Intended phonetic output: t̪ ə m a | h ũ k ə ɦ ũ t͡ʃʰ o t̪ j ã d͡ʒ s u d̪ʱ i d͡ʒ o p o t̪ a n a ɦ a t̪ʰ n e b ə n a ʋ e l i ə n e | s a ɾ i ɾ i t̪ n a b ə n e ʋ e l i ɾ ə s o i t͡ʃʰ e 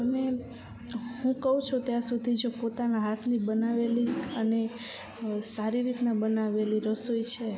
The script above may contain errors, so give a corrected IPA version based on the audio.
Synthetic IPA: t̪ ə m e | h ũ k ə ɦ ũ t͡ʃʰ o t̪ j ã s u d̪ʱ i d͡ʒ o p o t̪ a n a ɦ a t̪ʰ n i b ə n a ʋ e l i ə n e | s a ɾ i ɾ i t̪ n a b ə n a ʋ e l i ɾ ə s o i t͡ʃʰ e